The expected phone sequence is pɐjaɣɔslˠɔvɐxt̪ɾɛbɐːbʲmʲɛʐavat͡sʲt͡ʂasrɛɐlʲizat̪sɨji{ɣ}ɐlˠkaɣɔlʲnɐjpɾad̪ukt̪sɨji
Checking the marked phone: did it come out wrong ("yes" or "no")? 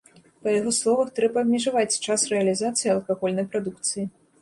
yes